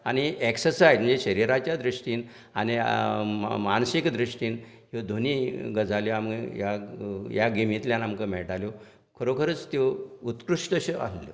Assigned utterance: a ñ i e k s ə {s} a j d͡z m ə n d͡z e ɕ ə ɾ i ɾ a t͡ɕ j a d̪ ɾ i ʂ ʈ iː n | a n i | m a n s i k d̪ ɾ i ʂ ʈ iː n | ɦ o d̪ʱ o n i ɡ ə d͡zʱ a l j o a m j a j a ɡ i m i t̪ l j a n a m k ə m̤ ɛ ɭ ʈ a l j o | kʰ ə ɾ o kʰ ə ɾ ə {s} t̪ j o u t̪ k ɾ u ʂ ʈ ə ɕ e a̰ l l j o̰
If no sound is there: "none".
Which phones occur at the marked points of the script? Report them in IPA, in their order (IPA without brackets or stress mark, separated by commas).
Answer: s, t͡s